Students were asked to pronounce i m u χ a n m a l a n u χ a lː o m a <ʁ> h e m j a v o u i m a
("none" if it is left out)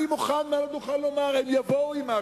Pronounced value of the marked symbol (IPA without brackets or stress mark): ʁ